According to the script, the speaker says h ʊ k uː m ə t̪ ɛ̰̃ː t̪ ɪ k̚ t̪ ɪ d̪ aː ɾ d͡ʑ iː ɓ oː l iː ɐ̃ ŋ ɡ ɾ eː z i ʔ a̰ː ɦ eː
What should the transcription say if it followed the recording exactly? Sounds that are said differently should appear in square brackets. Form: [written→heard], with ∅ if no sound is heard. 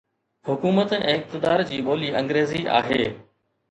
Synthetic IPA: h ʊ k uː m ə t̪ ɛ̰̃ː [t̪→∅] ɪ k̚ t̪ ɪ d̪ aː ɾ d͡ʑ iː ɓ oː l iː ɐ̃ ŋ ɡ ɾ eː z i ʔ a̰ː ɦ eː